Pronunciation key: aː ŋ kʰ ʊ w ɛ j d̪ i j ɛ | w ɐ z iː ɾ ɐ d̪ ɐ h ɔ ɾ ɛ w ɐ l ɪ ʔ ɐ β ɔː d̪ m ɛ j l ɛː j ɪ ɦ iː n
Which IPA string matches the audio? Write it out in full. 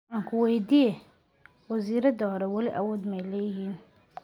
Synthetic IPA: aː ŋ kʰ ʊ w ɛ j d̪ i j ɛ | w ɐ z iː ɾ ɐ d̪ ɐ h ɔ ɾ ɛ w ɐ l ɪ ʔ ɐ w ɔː d̪ m ɛ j l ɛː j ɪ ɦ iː n